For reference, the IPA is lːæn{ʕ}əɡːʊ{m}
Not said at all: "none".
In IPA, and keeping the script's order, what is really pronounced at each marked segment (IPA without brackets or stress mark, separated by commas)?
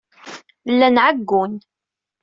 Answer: ʕ, n